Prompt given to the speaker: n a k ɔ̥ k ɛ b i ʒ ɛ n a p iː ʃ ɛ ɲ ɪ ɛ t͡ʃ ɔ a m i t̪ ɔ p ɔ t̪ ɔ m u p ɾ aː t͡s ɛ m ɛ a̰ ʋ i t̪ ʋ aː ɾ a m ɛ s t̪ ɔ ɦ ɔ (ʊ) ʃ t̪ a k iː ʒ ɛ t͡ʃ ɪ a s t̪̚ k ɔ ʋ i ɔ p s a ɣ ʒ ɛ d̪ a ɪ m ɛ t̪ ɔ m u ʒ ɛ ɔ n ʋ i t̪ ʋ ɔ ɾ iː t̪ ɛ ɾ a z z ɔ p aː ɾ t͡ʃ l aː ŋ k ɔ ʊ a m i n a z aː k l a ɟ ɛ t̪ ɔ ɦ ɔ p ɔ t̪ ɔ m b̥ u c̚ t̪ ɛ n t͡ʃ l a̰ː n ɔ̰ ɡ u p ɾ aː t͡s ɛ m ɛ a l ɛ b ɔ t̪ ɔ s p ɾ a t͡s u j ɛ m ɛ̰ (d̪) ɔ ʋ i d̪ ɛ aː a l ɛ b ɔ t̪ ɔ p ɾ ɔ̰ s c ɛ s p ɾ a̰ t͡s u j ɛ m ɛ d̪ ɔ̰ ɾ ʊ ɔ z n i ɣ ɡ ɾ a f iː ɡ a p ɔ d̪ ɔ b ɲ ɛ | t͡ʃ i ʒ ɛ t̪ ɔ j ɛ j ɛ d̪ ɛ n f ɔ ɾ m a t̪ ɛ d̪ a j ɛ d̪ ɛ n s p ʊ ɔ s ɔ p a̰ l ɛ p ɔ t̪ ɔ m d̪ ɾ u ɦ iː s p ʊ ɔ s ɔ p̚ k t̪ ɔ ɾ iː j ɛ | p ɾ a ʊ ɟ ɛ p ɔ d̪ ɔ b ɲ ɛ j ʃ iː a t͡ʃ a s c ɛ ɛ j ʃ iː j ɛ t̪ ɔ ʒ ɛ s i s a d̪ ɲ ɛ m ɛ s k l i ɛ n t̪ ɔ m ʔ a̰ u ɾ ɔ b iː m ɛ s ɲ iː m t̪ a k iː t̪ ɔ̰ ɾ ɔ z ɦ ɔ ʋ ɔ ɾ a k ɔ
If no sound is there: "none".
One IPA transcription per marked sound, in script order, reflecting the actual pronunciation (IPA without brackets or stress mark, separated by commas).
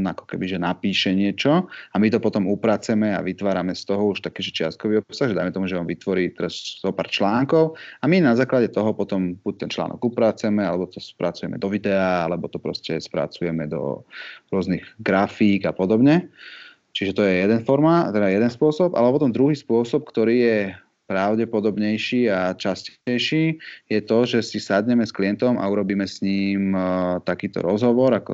u, d̪